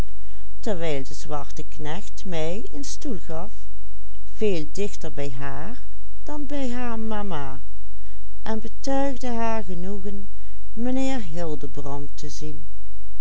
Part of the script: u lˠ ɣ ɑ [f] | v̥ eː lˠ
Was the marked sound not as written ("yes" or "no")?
no